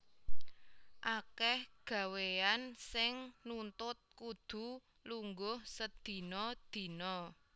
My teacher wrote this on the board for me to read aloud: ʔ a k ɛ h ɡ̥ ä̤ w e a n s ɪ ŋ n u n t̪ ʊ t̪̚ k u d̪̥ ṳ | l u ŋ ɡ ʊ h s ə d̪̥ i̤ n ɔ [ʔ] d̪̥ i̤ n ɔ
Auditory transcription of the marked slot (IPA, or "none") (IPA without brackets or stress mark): none